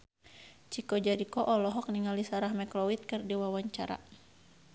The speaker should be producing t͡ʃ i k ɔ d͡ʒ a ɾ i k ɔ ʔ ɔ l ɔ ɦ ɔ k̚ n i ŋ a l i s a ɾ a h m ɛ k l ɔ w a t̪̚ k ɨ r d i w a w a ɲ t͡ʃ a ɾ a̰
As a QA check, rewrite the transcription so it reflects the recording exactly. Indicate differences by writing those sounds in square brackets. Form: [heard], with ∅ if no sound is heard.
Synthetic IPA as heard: t͡ʃ i k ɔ d͡ʒ a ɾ i k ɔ ʔ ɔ l ɔ ɦ ɔ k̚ n i ŋ a l i s a ɾ a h m ɛ k l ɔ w [i] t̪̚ k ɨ r d i w a w a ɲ t͡ʃ a ɾ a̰